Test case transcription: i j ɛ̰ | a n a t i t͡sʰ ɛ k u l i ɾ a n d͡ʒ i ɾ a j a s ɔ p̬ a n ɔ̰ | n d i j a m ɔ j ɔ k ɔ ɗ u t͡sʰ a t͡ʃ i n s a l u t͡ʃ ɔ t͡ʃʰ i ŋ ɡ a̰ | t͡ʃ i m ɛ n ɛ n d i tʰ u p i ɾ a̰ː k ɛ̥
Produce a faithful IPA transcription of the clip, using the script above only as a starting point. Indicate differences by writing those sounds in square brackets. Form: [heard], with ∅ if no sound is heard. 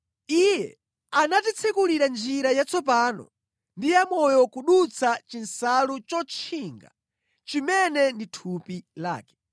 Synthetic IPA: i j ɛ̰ | a n a t i t͡sʰ ɛ k u l i ɾ a n d͡ʒ i ɾ a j a [t͡s] ɔ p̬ a n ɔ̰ | n d i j a m ɔ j ɔ k [u] ɗ u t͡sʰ a t͡ʃ i n s a l u t͡ʃ ɔ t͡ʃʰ i ŋ ɡ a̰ | t͡ʃ i m ɛ n ɛ n d i tʰ u p i [l] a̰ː k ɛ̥